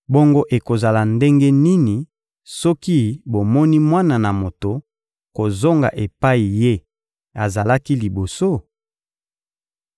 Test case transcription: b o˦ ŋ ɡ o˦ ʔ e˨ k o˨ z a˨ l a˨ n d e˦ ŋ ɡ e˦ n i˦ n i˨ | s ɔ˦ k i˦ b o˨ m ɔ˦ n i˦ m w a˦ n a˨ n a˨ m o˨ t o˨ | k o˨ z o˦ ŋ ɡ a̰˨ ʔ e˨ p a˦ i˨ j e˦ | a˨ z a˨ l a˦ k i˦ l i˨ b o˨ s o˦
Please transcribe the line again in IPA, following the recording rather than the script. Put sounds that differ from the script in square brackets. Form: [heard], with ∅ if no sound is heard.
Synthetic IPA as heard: b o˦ ŋ ɡ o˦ ʔ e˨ k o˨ z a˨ l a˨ n d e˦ ŋ ɡ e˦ n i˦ n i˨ | s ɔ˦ k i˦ b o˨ m ɔ˦ n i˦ m w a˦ n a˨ n a˨ m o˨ t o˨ | k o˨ z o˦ ŋ ɡ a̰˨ ʔ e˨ p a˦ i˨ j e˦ | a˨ z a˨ l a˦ k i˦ l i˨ b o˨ s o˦